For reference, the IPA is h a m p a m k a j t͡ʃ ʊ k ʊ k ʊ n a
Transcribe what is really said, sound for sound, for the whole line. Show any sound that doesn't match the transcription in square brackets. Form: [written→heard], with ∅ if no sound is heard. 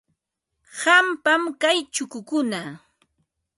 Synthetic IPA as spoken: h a m p a m k a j t͡ʃ ʊ k ʊ k ʊ n a